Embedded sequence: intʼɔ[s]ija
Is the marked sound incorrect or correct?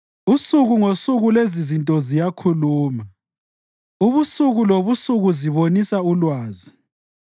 incorrect